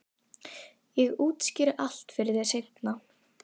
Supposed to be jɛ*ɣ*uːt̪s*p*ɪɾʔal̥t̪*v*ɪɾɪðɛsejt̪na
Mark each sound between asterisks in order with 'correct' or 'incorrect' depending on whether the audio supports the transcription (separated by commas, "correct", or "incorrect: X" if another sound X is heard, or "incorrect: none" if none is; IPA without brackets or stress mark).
correct, incorrect: c, incorrect: f